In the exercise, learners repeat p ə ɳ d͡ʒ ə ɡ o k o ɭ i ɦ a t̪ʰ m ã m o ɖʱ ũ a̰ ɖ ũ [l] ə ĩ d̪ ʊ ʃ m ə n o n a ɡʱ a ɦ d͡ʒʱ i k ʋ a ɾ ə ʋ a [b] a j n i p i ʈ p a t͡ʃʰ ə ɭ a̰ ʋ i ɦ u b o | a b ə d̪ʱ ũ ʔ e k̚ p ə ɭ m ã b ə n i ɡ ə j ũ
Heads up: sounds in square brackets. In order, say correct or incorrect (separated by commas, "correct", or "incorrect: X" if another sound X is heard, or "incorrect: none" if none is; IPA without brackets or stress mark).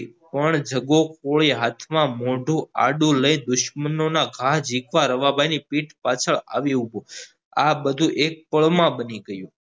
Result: correct, correct